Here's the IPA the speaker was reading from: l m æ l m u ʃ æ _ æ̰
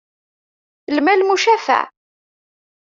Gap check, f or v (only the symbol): f